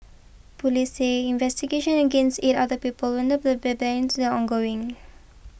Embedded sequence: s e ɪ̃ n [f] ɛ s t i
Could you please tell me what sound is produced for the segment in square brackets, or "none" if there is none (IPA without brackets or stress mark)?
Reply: v